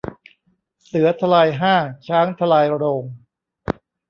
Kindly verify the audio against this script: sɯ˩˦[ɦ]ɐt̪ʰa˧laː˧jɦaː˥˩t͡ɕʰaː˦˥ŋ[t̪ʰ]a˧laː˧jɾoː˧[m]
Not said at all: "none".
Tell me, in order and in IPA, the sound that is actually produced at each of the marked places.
none, t̪ʰ, ŋ

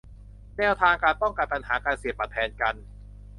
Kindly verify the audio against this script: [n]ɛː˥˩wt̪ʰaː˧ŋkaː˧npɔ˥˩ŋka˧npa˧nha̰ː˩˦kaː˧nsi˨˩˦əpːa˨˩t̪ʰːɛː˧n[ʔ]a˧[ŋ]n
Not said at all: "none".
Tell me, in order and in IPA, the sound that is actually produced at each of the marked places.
n, k, none

